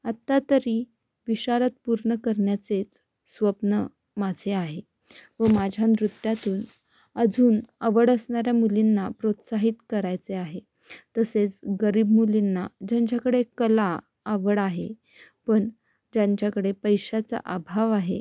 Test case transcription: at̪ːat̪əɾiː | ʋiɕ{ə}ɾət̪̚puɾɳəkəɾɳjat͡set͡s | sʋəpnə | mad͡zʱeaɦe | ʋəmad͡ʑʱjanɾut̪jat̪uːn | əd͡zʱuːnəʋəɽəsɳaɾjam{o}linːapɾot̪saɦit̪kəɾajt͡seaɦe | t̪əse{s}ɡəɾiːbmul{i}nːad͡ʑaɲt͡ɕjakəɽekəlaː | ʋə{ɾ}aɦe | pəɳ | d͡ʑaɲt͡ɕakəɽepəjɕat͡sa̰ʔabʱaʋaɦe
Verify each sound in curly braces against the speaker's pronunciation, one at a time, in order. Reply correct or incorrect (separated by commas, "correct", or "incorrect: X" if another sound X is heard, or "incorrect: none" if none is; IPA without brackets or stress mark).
incorrect: a, incorrect: u, incorrect: t͡s, correct, incorrect: ɽ